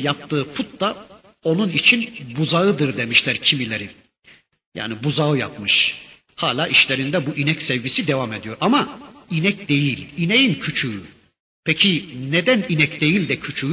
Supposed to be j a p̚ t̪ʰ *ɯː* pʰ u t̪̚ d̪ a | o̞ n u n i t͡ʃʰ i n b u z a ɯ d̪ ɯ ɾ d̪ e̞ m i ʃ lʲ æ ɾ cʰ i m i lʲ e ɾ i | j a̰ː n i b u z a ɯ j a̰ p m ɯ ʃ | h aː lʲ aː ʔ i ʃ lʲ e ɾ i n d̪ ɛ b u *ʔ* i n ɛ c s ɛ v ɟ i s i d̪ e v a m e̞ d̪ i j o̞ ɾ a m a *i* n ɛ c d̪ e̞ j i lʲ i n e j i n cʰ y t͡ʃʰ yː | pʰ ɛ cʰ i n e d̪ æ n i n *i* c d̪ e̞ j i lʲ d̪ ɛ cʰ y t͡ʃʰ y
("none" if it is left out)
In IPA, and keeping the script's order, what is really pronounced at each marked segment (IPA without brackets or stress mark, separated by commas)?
ɯː, ʔ, i, ɛ